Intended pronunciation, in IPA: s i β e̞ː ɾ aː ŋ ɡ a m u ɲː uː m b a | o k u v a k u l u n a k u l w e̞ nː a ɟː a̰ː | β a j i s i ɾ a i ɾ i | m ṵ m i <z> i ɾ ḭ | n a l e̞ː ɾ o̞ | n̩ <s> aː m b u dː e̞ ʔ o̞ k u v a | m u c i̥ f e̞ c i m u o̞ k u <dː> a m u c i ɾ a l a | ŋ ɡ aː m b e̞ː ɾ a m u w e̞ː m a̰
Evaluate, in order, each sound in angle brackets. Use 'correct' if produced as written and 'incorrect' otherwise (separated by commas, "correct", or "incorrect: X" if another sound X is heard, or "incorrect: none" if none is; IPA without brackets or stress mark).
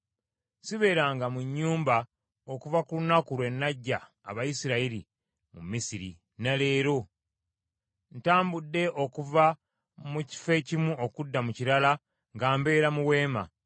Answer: incorrect: s, incorrect: t, correct